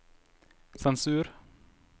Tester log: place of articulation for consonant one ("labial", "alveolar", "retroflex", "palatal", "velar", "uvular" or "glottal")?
alveolar